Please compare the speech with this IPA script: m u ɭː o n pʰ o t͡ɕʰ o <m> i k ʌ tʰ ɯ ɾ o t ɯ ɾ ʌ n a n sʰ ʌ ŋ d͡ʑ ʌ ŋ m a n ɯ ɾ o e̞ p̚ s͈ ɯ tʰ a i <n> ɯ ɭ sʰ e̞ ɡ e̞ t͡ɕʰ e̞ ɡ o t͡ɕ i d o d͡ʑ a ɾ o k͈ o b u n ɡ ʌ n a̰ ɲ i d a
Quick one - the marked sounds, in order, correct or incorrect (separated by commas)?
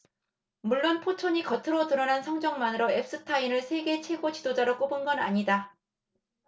incorrect, correct